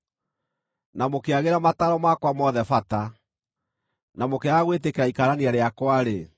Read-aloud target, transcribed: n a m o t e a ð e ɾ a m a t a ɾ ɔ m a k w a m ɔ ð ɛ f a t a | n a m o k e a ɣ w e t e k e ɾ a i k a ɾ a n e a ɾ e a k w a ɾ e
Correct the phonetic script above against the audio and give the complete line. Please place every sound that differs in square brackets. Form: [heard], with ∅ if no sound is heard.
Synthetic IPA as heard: n a m o [k] e a [ɣ] e ɾ a m a t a ɾ ɔ m a k w a m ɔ ð ɛ f a t a | n a m o k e a ɣ w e t e k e ɾ a i k a ɾ a n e a ɾ e a k w a ɾ e